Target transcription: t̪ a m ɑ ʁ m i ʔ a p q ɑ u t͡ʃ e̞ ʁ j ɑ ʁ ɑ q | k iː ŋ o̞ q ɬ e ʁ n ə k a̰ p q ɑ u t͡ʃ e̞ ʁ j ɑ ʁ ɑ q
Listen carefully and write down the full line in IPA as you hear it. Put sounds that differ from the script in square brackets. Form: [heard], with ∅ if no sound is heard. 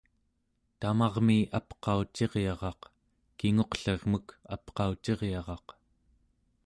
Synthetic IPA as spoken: t̪ a m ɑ ʁ m i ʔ a p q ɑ u t͡ʃ e̞ ʁ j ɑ ʁ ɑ q | k [i] ŋ o̞ q ɬ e ʁ [m] ə k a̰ p q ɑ u t͡ʃ e̞ ʁ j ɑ ʁ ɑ q